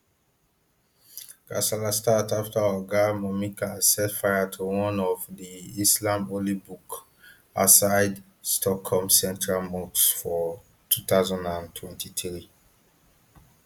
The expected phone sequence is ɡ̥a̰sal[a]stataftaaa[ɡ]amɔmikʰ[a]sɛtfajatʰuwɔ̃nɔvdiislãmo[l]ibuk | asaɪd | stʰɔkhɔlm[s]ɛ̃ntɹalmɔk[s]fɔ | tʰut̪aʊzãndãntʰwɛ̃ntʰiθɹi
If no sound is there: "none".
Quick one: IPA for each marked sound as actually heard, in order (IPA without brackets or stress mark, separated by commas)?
a, ɡ, a, l, s, s